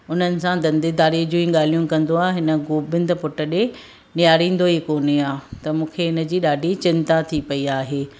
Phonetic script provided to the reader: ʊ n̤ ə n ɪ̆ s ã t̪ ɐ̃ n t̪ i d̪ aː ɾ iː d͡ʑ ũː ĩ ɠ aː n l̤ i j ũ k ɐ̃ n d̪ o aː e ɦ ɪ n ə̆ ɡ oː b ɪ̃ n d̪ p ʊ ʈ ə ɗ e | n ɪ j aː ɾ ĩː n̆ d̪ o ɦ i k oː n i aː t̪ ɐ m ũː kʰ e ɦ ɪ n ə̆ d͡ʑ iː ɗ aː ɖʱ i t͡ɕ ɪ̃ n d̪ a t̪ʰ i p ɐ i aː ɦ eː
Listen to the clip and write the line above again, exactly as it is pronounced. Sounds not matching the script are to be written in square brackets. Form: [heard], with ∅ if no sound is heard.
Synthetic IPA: ʊ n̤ ə n ɪ̆ s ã [d̪] ɐ̃ n [d̪] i d̪ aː ɾ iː d͡ʑ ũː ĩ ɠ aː [∅] l̤ i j ũ k ɐ̃ n d̪ o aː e ɦ ɪ n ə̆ ɡ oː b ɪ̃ n d̪ p ʊ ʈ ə ɗ e | n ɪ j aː ɾ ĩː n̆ d̪ o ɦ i k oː n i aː t̪ ɐ m ũː kʰ e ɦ ɪ n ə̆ d͡ʑ iː ɗ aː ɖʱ i t͡ɕ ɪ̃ n [t̪] a t̪ʰ i p ɐ i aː ɦ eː